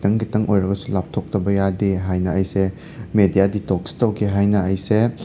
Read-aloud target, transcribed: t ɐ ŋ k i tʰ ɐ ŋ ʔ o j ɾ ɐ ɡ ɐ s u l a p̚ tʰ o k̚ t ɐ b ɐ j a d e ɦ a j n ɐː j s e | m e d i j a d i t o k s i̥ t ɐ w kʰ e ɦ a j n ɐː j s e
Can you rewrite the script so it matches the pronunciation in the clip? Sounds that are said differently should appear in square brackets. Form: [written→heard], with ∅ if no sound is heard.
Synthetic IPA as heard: t ɐ ŋ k i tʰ ɐ ŋ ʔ o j ɾ ɐ ɡ ɐ s u l a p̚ tʰ o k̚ t ɐ b ɐ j a d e ɦ a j n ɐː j s e | m e d i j a d i t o k s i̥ t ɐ w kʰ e ɦ a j n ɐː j s e